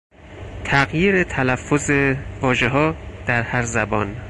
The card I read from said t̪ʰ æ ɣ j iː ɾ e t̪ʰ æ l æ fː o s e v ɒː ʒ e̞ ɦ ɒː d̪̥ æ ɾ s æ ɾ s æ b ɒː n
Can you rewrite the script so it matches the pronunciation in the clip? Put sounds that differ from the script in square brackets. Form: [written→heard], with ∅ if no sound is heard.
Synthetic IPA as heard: t̪ʰ æ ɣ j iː ɾ e t̪ʰ æ l æ fː o [s→z] e v ɒː ʒ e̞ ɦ ɒː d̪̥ æ ɾ [s→h] æ ɾ [s→z] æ b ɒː n